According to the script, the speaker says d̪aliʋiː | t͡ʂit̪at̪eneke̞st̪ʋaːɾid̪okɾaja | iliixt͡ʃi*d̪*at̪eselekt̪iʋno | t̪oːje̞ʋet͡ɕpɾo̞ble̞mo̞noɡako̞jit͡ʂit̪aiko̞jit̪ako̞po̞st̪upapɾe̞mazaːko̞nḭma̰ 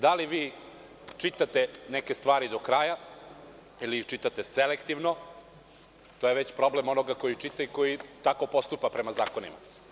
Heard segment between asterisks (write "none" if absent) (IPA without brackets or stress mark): t̪